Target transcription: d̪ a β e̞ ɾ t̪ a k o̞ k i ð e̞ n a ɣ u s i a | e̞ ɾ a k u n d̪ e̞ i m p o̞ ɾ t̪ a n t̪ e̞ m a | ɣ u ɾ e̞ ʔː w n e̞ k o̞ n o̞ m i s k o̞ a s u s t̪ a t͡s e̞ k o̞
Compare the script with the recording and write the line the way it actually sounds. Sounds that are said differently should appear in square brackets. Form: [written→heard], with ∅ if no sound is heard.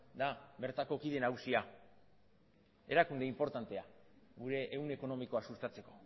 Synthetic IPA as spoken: d̪ a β e̞ ɾ t̪ a k o̞ k i ð e̞ n a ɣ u s i a | e̞ ɾ a k u n d̪ e̞ i m p o̞ ɾ t̪ a n t̪ e̞ [m→∅] a | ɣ u ɾ e̞ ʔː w n e̞ k o̞ n o̞ m i [s→∅] k o̞ a s u s t̪ a t͡s e̞ k o̞